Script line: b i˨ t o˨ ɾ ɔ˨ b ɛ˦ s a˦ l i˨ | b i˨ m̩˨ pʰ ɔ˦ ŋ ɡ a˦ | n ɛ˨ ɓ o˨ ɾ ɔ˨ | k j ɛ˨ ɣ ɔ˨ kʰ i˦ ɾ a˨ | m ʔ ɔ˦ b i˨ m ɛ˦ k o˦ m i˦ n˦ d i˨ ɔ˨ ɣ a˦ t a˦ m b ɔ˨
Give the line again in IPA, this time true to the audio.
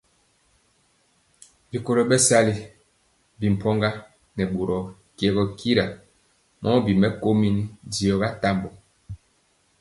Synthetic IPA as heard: b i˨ k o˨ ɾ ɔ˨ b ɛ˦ s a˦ l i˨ | b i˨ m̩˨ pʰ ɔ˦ ŋ ɡ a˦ | n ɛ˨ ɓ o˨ ɾ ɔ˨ | k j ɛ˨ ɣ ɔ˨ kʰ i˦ ɾ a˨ | m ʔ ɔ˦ b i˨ m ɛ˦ k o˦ m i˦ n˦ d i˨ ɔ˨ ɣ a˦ t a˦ m b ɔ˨